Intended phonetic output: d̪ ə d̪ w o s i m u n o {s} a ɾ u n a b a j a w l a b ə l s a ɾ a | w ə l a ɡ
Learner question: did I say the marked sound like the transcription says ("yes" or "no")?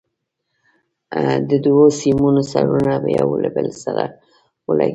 yes